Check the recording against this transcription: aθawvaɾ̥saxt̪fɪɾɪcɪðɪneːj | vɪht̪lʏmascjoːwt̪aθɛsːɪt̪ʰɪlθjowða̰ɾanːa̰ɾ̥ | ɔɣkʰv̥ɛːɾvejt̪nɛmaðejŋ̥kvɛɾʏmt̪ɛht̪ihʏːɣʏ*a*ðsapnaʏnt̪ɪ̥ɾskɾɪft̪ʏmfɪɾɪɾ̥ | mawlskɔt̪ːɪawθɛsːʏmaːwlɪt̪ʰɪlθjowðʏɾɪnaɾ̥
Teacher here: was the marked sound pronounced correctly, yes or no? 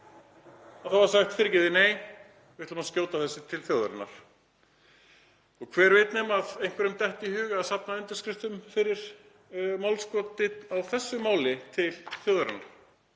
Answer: yes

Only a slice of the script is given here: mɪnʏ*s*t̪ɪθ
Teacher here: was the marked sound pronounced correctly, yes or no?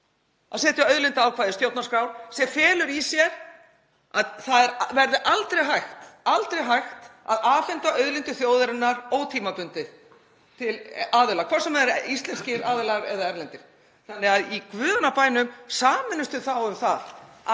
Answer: yes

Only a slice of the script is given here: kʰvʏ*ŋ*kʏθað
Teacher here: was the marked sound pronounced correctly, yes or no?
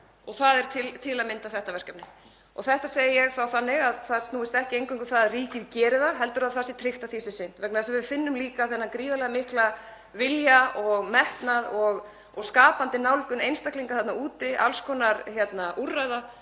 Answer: yes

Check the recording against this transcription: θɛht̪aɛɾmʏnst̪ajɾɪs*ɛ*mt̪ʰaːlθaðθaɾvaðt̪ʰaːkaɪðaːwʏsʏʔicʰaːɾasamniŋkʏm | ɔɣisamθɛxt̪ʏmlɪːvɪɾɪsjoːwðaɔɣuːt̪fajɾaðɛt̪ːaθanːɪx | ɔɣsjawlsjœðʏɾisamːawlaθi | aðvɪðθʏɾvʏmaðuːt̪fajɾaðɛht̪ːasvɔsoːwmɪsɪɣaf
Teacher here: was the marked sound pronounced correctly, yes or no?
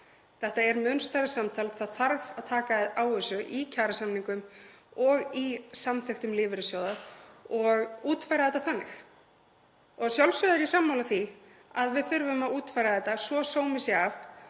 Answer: no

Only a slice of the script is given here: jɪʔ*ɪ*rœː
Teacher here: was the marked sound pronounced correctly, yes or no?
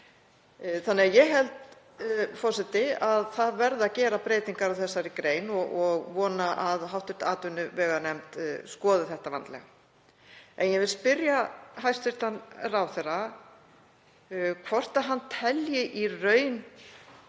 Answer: no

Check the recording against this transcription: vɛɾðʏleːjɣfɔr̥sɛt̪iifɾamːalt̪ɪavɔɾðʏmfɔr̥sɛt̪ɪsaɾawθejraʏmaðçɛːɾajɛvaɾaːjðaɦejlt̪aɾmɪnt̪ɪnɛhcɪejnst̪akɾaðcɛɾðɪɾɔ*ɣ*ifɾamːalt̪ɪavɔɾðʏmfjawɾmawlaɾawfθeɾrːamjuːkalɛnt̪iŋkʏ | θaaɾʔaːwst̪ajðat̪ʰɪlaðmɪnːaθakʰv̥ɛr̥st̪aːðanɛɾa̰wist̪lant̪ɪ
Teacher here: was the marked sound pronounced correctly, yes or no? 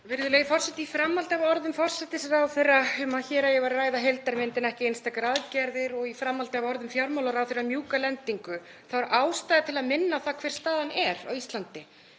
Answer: yes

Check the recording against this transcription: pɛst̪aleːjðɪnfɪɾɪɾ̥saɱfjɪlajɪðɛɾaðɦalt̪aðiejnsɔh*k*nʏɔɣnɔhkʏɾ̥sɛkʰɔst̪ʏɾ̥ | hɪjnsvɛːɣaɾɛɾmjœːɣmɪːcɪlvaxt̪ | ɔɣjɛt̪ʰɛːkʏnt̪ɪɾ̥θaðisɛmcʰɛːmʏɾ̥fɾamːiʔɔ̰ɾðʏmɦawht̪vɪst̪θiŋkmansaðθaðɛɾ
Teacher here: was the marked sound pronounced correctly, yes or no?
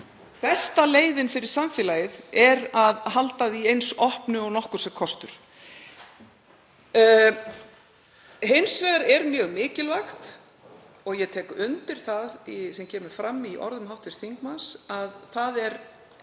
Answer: no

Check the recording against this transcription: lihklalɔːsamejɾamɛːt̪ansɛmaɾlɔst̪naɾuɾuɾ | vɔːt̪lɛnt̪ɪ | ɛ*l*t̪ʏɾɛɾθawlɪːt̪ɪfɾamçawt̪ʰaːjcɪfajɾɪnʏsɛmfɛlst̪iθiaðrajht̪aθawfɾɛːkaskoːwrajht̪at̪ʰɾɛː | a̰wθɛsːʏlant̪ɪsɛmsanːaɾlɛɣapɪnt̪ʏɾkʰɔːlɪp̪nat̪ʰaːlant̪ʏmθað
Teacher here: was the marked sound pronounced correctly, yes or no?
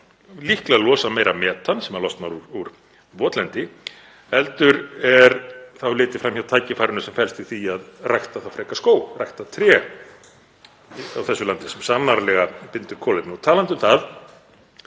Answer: yes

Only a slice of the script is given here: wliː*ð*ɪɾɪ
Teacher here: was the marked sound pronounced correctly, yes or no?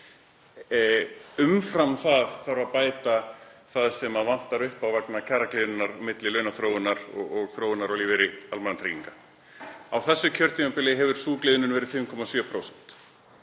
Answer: no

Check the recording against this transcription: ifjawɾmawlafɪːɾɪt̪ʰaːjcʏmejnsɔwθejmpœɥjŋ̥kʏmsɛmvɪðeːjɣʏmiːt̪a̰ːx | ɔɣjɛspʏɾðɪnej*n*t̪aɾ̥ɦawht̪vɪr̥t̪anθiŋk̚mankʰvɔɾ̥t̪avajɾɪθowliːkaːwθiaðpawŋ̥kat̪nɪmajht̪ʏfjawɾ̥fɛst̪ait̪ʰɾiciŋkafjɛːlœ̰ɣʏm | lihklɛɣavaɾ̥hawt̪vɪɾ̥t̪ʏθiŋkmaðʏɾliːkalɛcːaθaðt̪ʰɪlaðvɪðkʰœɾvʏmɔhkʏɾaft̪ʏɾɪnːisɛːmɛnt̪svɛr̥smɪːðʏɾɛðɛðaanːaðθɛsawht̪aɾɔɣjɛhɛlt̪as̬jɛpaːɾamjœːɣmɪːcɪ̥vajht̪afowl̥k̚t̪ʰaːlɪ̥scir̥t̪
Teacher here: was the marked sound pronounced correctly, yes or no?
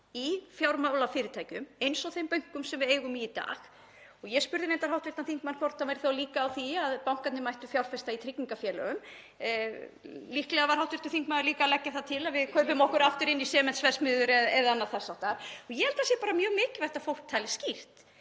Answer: yes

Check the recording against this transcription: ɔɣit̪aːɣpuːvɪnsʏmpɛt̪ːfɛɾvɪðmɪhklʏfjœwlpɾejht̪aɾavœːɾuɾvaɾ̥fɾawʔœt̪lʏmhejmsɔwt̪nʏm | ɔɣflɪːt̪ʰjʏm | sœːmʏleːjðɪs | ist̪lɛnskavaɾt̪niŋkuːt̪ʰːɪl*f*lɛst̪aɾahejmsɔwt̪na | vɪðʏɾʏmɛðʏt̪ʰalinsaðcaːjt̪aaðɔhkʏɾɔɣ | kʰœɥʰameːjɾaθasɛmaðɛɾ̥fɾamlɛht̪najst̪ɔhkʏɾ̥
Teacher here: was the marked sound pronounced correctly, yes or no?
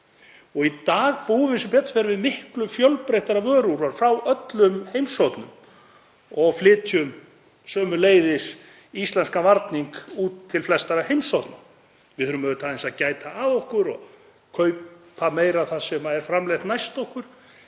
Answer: yes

